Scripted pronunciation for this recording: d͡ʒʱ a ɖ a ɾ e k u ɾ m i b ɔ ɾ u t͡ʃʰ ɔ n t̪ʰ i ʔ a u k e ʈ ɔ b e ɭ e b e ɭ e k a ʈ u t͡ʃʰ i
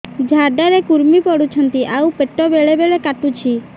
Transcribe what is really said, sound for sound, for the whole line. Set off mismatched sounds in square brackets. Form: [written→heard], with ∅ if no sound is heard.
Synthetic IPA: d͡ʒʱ a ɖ a ɾ e k u ɾ m i [b→p] ɔ [ɾ→ɽ] u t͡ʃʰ ɔ n [t̪ʰ→t̪] i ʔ a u [k→p] e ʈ ɔ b e ɭ e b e ɭ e k a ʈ u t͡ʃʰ i